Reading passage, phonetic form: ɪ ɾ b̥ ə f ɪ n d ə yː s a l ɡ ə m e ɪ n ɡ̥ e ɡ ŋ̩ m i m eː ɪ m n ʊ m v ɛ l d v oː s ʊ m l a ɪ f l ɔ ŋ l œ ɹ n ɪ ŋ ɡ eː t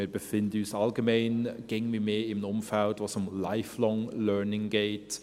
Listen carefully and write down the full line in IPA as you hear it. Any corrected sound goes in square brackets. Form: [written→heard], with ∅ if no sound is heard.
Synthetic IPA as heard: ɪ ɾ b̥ ə f ɪ n d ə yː s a l ɡ ə m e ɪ n ɡ̥ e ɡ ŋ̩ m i m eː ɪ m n ʊ m [v→f] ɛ l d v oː s ʊ m l a ɪ f l ɔ ŋ l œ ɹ n ɪ ŋ ɡ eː t